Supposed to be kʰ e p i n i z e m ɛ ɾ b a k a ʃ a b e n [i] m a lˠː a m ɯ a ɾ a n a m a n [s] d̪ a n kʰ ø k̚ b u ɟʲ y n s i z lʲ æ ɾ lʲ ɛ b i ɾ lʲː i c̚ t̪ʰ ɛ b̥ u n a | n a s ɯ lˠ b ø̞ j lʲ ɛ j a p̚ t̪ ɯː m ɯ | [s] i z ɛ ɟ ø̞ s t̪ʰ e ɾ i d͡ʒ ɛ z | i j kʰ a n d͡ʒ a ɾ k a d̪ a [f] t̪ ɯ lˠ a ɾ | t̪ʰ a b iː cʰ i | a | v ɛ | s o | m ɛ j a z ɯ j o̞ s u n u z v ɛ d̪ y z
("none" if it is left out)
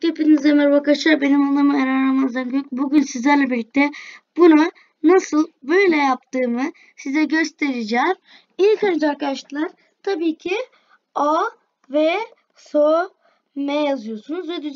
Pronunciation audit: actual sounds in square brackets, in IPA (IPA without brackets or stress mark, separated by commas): i, z, s, ʃ